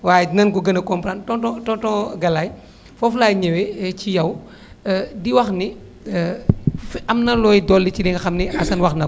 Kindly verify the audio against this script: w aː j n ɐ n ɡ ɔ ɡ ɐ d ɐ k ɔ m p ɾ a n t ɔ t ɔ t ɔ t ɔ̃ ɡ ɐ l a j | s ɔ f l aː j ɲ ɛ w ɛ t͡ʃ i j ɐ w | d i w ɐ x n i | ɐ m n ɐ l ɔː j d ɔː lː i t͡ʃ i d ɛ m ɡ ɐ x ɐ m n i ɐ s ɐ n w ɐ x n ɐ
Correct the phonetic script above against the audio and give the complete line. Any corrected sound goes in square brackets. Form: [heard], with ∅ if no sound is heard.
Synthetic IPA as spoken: w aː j n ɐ n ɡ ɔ ɡ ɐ [n] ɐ k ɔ m p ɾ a n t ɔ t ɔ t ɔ t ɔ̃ ɡ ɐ l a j | [f] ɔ f l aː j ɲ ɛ w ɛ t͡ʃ i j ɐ w | d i w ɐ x n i | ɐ m n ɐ l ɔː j d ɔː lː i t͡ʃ i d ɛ [ŋ] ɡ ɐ x ɐ m n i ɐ s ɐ n w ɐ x n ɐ